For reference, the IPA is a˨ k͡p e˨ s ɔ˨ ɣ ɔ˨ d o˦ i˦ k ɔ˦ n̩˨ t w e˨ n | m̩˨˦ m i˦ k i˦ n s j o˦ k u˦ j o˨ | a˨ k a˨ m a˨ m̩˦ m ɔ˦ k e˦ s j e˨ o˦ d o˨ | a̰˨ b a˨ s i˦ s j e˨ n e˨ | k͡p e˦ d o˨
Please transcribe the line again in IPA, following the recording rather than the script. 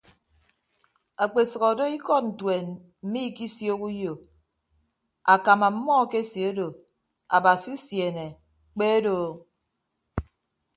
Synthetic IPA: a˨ k͡p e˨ s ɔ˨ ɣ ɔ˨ d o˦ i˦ k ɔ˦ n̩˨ t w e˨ n | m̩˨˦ m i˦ k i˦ s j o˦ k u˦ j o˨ | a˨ k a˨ m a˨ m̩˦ m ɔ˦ k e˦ s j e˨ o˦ d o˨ | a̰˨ b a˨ s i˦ s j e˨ n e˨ | k͡p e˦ d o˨